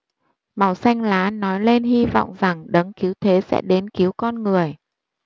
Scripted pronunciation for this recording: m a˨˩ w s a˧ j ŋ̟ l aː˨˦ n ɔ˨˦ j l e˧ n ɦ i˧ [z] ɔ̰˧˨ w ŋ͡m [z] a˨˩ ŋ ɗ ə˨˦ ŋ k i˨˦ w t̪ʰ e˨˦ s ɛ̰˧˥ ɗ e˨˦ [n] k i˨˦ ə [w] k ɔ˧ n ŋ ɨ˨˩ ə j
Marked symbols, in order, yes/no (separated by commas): no, yes, yes, yes